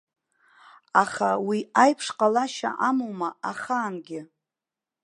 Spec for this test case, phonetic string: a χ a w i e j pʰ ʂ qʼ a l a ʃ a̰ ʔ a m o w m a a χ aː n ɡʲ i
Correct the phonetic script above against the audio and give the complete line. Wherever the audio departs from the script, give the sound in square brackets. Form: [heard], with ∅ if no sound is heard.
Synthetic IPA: a χ a w i [a] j pʰ ʂ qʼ a l a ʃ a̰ ʔ a m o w m a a χ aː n ɡʲ [ɪ]